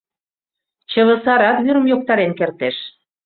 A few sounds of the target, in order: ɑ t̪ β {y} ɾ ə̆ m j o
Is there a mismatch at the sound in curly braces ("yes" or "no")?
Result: no